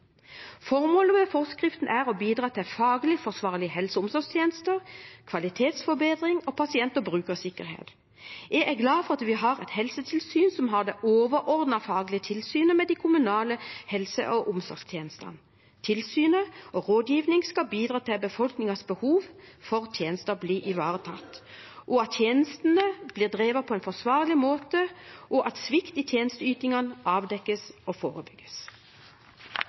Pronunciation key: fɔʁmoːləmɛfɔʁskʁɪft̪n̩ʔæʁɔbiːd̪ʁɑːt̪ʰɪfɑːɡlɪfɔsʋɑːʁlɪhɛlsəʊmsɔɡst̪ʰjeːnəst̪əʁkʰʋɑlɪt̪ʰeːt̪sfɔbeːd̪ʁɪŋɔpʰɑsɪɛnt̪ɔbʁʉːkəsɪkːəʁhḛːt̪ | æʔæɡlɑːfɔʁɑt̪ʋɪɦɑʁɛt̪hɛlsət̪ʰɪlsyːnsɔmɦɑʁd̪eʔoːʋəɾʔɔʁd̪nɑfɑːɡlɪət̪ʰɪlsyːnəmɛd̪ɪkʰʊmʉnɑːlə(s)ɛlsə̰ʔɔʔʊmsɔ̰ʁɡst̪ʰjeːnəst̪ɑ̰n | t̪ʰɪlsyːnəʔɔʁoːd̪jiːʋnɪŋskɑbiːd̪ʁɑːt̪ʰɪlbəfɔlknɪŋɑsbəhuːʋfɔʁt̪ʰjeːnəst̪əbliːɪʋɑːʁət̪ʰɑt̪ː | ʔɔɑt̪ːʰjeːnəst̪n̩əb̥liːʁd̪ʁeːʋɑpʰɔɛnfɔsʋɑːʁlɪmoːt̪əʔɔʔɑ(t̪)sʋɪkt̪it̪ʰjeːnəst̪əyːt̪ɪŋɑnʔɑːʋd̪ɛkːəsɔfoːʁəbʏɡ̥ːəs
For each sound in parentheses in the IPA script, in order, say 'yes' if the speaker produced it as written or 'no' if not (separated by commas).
no, yes